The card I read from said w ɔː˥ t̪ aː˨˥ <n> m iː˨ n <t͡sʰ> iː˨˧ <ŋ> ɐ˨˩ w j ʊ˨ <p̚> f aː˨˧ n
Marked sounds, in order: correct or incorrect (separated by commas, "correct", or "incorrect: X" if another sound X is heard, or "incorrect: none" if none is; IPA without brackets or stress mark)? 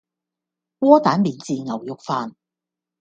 correct, incorrect: t͡s, correct, incorrect: k̚